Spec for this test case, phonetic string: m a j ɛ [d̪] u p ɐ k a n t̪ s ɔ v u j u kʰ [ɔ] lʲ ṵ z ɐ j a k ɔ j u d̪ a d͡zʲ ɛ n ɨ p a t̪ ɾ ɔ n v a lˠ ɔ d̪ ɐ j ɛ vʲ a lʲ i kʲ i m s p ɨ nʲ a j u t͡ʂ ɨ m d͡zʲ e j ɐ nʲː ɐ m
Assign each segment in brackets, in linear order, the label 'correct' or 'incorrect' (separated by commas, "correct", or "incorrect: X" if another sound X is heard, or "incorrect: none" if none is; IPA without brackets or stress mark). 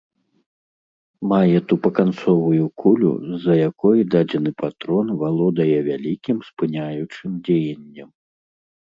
incorrect: t̪, incorrect: u